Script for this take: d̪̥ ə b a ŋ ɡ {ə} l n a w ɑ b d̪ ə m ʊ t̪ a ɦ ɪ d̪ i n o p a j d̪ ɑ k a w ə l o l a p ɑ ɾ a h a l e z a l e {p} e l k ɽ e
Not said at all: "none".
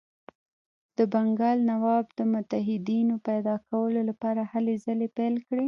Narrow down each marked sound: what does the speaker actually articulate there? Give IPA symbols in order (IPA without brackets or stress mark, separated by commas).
ɑ, p